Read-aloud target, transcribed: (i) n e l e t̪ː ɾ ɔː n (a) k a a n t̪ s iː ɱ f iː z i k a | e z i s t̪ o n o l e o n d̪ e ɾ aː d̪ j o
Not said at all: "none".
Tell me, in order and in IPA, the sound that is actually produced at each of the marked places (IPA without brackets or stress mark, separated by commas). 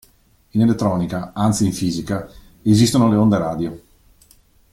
i, i